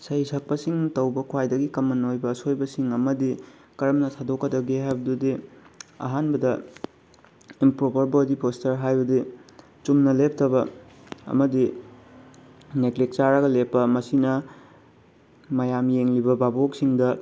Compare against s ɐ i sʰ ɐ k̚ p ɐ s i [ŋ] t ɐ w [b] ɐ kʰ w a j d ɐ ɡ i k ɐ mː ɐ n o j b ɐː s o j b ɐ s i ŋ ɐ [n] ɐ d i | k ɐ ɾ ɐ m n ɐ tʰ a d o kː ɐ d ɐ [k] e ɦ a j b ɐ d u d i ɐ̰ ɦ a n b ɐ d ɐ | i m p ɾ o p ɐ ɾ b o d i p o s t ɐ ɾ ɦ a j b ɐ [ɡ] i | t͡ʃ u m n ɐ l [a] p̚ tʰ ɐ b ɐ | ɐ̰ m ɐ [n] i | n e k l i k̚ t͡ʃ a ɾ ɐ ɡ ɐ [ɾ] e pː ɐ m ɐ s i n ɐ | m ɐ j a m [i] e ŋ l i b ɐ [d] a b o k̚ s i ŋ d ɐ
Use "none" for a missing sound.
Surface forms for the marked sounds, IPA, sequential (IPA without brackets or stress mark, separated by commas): ŋ, b, m, ɡ, d, e, d, l, j, b